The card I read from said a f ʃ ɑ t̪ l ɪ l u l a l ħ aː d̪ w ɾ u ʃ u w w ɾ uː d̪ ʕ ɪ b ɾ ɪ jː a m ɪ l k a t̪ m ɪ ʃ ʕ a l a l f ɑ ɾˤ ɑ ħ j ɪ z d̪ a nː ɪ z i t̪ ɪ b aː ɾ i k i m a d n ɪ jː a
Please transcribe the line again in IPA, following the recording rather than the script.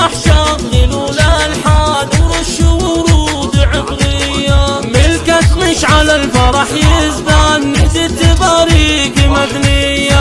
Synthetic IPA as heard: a ħ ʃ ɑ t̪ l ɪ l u l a l ħ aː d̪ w ɾ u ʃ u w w ɾ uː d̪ ʕ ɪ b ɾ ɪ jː a m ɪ l k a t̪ m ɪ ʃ ʕ a l a l f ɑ ɾˤ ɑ ħ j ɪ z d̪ a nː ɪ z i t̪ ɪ b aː ɾ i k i m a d n ɪ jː a